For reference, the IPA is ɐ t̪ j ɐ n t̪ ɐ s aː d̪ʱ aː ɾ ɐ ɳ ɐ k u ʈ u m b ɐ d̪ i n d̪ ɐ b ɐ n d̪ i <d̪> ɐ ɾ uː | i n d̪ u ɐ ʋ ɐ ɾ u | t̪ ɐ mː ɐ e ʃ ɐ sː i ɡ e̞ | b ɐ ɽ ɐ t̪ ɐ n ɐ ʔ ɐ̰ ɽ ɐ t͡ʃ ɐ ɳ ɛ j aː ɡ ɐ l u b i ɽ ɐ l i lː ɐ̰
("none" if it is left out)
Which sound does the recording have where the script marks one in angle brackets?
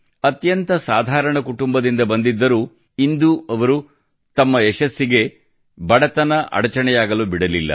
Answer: d̪ː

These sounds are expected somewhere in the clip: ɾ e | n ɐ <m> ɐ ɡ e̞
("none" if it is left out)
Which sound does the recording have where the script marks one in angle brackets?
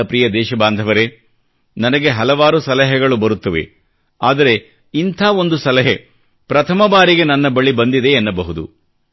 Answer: n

